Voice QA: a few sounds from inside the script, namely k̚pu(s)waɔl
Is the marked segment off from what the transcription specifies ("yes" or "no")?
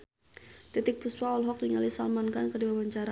no